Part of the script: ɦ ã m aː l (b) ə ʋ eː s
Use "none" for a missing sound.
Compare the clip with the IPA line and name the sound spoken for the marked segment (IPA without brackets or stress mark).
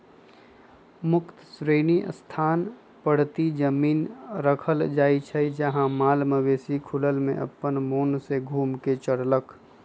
m